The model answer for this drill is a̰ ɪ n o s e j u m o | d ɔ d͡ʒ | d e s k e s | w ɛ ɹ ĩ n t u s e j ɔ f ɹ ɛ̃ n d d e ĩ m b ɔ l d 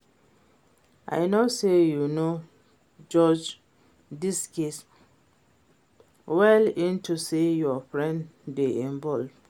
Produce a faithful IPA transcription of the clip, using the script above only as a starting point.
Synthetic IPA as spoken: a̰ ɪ n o s e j u n o | d͡ʒ ɔ d͡ʒ | d i s k e s | w ɛ l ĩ n t u s e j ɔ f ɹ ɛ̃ n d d e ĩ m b ɔ l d